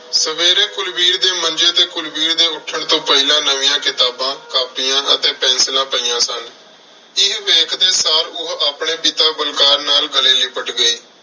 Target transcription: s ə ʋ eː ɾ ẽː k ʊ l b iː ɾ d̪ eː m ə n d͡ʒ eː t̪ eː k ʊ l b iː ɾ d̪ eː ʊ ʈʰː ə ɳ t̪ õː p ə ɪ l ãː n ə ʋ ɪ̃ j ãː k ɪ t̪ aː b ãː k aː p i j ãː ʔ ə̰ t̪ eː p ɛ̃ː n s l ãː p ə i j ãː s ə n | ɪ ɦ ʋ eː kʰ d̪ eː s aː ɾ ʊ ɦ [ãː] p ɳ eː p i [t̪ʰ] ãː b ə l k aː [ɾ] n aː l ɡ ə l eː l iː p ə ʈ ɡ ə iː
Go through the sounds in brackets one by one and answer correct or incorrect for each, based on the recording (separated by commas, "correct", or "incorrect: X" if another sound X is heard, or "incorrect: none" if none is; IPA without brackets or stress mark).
incorrect: aː, incorrect: t̪, correct